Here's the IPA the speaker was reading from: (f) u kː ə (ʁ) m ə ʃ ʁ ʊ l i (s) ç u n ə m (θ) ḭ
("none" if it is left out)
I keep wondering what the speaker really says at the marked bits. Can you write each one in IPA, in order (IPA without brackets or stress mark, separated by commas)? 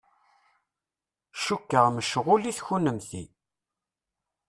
ʃ, ʁ, θ, θ